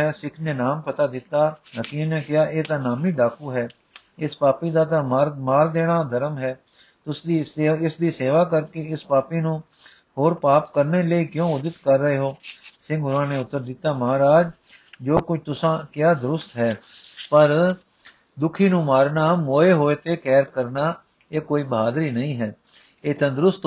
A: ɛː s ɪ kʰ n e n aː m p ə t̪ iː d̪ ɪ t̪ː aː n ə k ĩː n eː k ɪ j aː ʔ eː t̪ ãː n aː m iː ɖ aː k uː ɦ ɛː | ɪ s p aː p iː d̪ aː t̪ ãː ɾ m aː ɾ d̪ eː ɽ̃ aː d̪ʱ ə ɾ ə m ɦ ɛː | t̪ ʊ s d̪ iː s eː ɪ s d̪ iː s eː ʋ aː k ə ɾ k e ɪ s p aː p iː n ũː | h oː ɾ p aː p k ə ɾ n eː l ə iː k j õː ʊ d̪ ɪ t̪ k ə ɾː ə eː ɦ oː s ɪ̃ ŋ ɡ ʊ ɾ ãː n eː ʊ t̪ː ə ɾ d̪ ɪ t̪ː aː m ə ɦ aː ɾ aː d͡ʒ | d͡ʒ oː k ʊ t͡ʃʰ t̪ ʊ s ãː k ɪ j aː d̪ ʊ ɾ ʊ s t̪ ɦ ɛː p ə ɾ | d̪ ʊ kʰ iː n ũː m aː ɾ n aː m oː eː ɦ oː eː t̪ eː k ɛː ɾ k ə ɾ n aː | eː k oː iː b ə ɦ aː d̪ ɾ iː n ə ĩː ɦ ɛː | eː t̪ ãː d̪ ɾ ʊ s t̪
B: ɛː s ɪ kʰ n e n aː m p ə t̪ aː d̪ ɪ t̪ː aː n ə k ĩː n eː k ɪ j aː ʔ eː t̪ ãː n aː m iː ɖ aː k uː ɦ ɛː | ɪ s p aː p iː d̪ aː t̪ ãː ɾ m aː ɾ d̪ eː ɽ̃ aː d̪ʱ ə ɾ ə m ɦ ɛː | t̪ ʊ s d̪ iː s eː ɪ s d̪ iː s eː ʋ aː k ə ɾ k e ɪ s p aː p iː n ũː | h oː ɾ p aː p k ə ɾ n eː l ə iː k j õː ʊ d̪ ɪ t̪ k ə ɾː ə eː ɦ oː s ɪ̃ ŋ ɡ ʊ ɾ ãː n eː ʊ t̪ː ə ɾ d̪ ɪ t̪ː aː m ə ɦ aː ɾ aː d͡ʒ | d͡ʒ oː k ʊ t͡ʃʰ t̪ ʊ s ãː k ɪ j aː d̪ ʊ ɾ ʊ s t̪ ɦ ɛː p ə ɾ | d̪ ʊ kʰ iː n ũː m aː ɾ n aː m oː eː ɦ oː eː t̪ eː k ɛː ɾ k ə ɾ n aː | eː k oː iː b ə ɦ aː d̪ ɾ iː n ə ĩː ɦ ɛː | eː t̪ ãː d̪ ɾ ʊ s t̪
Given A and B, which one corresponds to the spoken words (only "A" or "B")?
B